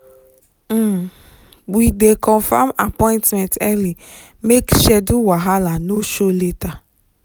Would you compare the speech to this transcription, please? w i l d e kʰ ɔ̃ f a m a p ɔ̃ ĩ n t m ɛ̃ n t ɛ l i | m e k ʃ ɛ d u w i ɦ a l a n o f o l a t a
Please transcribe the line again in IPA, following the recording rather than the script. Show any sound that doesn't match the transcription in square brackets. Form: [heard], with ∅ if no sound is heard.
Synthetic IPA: w i [∅] d e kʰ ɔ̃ f a m a p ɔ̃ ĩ n t m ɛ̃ n t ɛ l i | m e k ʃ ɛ d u w [a] ɦ a l a n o [ʃ] o l [e] t a